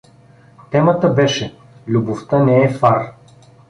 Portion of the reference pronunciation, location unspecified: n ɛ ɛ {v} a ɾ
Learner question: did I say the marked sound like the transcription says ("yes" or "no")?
no